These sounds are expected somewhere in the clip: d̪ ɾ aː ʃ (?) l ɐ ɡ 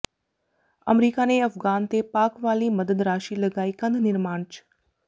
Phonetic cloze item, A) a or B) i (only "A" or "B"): B